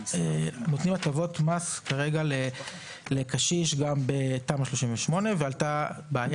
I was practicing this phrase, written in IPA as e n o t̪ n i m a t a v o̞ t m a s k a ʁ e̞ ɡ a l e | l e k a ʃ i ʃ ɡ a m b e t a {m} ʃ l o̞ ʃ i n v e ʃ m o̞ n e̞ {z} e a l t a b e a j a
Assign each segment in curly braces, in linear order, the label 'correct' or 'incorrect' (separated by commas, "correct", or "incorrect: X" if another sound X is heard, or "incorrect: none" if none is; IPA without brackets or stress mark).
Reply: correct, incorrect: v